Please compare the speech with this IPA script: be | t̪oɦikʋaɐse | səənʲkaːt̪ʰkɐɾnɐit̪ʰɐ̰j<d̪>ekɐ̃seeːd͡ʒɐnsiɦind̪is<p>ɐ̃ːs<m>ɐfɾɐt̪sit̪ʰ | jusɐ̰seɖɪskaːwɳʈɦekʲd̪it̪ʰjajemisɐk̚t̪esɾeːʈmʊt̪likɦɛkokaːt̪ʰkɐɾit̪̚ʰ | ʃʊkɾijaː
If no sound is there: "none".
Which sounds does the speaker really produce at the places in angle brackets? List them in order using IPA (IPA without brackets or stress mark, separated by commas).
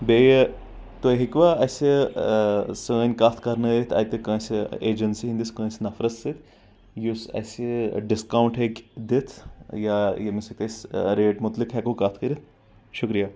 t̪, k, n